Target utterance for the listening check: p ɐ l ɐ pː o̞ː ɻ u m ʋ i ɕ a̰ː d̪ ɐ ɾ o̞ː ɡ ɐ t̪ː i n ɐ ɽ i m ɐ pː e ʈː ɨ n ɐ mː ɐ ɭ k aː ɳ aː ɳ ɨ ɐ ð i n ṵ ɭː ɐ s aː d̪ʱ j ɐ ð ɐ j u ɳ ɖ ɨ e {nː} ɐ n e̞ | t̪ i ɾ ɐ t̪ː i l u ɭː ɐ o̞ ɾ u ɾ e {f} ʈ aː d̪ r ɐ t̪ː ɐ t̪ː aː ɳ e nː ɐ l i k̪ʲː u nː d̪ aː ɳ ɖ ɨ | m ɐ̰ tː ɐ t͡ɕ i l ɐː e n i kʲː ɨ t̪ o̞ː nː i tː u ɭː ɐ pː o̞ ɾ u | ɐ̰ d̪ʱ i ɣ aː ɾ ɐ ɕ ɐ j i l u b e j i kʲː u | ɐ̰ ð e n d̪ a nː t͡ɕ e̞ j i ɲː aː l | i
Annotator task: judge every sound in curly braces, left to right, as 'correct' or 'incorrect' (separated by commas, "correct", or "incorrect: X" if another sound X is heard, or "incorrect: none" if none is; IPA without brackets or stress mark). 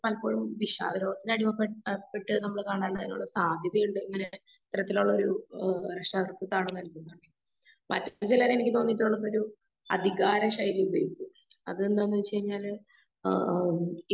incorrect: ŋː, incorrect: ʂ